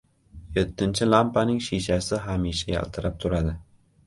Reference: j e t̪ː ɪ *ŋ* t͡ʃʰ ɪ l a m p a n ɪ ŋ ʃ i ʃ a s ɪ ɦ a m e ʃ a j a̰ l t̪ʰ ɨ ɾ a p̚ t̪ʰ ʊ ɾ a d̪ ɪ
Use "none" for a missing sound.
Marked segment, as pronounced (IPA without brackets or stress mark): n